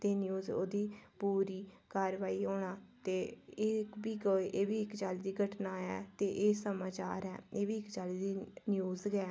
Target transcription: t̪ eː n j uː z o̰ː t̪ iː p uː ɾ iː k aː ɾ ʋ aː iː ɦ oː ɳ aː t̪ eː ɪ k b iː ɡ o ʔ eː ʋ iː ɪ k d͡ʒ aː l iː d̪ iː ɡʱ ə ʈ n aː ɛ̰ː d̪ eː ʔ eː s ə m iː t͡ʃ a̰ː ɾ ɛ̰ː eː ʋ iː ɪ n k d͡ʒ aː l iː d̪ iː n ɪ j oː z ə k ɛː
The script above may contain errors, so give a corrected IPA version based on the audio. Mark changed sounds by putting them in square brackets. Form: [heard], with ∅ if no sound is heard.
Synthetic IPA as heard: t̪ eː n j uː z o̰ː [d̪] iː p uː ɾ iː k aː ɾ ʋ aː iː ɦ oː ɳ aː t̪ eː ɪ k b iː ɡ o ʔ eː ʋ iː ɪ k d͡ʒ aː l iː d̪ iː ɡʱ ə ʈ n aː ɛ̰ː [t̪] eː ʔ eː s ə m [aː] t͡ʃ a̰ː ɾ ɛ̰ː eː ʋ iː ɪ [∅] k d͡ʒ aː l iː d̪ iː n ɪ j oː z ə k ɛː

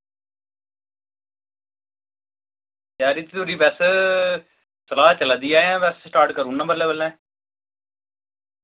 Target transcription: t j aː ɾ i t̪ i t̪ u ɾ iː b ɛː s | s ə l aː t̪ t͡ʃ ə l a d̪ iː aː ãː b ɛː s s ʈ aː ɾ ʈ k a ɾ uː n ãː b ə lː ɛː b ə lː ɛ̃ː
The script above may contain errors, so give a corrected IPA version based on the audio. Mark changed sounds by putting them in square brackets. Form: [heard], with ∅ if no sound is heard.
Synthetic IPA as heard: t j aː ɾ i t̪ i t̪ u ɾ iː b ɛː s | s ə l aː [∅] t͡ʃ ə l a d̪ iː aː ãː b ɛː s s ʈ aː ɾ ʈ k [ə] ɾ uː n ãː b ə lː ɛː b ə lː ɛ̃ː

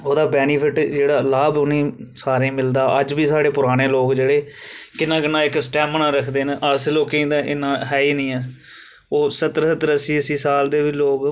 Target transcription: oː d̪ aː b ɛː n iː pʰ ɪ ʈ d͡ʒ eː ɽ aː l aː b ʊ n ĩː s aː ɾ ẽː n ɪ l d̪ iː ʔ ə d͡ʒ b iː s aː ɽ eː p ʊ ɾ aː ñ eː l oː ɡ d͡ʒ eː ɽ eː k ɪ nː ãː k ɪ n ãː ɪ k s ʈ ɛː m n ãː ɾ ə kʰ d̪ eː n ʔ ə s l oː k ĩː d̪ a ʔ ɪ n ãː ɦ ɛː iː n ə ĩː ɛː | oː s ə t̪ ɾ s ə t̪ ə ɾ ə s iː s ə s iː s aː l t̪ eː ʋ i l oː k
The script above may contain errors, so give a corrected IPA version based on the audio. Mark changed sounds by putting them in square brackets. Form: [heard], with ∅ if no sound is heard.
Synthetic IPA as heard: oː d̪ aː b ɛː n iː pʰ ɪ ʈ d͡ʒ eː ɽ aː l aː b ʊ n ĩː s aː ɾ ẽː [m] ɪ l d̪ [aː] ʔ ə d͡ʒ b iː s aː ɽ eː p ʊ ɾ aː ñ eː l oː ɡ d͡ʒ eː ɽ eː k ɪ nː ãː k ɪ n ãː ɪ k s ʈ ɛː m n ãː ɾ ə kʰ d̪ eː n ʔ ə s l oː k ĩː d̪ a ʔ ɪ n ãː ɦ ɛː iː n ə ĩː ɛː | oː s ə t̪ ɾ s ə t̪ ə ɾ ə s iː [∅] ə s iː s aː l [d̪] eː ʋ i l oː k

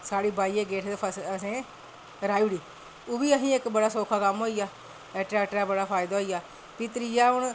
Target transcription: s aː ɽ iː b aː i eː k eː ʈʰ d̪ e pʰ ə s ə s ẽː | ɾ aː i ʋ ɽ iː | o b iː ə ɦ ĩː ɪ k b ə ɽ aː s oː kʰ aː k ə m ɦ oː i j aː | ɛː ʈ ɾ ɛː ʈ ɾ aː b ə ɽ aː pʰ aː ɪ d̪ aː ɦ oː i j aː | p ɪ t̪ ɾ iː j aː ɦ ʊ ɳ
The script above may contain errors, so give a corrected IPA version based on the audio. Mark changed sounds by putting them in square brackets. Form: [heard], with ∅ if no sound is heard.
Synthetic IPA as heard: s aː ɽ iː b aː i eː [ɡ] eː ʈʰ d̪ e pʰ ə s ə s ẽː | ɾ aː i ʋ ɽ iː | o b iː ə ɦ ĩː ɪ k b ə ɽ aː s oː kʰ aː k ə m ɦ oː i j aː | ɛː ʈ ɾ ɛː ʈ ɾ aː b ə ɽ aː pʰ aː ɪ d̪ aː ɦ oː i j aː | p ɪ t̪ ɾ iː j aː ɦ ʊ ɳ

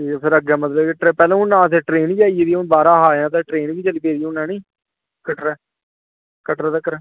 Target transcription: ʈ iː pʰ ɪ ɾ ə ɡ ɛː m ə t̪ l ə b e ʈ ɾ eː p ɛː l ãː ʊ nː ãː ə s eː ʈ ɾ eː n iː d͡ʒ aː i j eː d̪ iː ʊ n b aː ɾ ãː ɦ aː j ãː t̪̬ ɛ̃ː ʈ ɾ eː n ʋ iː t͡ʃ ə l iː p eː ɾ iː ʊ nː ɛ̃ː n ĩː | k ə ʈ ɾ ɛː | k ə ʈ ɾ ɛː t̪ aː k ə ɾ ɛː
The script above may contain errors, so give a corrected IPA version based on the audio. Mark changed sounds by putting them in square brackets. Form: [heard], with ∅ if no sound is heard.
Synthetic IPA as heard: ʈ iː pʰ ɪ ɾ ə ɡ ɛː m ə t̪ l ə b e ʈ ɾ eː p ɛː l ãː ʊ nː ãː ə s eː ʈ ɾ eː n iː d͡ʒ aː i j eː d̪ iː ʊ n b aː ɾ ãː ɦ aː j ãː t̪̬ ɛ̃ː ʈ ɾ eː n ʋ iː t͡ʃ ə l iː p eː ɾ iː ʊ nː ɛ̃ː n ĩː | k ə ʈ ɾ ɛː | k ə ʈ ɾ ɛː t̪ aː k ə ɾ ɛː

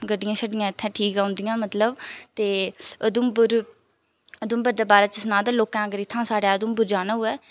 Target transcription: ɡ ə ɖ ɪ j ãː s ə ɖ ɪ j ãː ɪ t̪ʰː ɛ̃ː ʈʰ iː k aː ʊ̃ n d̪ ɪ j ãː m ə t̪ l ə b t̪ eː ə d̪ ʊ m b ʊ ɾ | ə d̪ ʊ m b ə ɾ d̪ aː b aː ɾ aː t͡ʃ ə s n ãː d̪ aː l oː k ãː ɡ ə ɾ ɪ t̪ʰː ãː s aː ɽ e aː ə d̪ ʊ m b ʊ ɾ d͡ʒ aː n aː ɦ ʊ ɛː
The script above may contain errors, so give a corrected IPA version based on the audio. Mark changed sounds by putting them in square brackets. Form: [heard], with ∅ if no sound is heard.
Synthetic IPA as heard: ɡ ə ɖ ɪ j ãː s ə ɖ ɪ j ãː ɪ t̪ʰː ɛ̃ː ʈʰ iː k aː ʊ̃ n d̪ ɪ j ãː m ə t̪ l ə b t̪ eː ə d̪ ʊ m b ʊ ɾ | ə d̪ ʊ m b ə ɾ d̪ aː b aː ɾ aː t͡ʃ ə s n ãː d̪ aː l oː k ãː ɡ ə ɾ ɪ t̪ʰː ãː s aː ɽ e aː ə d̪ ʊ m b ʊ ɾ d͡ʒ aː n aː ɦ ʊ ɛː

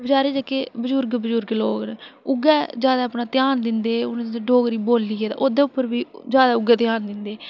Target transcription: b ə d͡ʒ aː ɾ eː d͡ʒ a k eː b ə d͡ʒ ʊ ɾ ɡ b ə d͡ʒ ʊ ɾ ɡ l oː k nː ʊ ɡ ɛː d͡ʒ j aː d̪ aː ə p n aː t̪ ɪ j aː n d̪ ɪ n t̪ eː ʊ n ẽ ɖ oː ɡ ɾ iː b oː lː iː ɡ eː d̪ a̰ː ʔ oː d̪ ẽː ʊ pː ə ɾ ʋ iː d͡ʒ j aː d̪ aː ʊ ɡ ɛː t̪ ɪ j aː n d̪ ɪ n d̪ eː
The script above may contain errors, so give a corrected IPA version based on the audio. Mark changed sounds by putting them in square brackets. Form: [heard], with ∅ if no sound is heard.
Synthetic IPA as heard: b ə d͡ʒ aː ɾ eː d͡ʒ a k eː b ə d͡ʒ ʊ ɾ ɡ b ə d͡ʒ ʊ ɾ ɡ l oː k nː ʊ ɡ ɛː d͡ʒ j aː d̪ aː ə p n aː t̪ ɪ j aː n d̪ ɪ n [d̪] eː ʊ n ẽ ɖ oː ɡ ɾ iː b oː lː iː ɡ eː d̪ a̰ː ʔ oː d̪ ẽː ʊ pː ə ɾ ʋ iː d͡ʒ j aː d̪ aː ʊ ɡ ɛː t̪ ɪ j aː n d̪ ɪ n d̪ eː

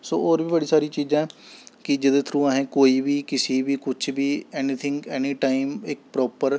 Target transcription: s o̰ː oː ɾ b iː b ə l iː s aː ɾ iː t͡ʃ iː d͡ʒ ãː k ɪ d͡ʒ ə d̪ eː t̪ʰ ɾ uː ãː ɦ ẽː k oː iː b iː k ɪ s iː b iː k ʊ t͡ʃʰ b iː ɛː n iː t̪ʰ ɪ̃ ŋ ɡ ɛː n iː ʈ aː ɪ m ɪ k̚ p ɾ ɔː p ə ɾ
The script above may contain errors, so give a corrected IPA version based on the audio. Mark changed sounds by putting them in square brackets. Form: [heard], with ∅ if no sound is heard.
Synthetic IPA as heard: s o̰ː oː ɾ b iː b ə [ɽ] iː s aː ɾ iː t͡ʃ iː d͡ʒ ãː k ɪ d͡ʒ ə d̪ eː t̪ʰ ɾ uː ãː ɦ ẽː k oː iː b iː k ɪ s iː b iː k ʊ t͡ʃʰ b iː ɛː n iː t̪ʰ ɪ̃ ŋ ɡ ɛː n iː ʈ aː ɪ m ɪ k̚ p ɾ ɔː p ə ɾ

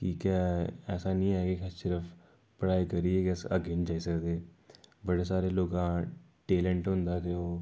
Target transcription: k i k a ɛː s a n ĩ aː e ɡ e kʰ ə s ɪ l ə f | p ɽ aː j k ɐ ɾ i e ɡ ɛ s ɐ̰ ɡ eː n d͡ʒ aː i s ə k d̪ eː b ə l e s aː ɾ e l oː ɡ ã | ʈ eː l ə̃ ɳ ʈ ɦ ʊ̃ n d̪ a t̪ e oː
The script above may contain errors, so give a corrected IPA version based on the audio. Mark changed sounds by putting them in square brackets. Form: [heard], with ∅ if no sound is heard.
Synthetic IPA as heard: k i k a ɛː s a n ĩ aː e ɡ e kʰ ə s ɪ [ɾ] ə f | p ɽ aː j k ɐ ɾ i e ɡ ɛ s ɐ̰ ɡ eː n d͡ʒ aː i s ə k d̪ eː b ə [ɽ] e s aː ɾ e l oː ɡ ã | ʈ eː l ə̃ ɳ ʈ ɦ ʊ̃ n d̪ a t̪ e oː

